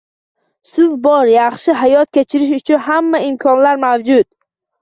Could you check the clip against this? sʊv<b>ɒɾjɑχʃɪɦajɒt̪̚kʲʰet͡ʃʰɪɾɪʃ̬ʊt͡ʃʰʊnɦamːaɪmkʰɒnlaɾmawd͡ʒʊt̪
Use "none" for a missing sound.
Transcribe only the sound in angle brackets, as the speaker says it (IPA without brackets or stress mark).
b